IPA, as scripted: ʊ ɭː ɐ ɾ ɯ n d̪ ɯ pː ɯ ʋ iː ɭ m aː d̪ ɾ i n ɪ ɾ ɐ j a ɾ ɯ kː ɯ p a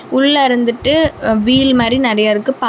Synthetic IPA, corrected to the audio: ʊ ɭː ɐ ɾ ɯ n d̪ ɯ ʈː ɯ ʋ iː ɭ m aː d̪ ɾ i n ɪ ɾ ɐ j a ɾ ɯ kː ɯ p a